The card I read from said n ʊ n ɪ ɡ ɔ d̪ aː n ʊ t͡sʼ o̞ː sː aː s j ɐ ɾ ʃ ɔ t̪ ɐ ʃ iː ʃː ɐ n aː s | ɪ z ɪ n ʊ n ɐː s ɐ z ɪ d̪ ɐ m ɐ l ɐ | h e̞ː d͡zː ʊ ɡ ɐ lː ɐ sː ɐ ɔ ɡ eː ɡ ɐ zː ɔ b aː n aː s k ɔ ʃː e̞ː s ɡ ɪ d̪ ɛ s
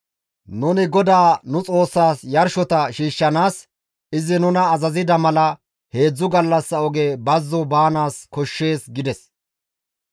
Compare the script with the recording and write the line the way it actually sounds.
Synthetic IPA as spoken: n ʊ n ɪ ɡ ɔ d̪ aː n ʊ t͡sʼ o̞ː sː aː s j ɐ ɾ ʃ ɔ t̪ ɐ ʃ iː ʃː ɐ n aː s | ɪ z ɪ n ʊ n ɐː z ɐ z ɪ d̪ ɐ m ɐ l ɐ | h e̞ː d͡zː ʊ ɡ ɐ lː ɐ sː ɐ ɔ ɡ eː b ɐ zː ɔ b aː n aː s k ɔ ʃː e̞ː s ɡ ɪ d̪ ɛ s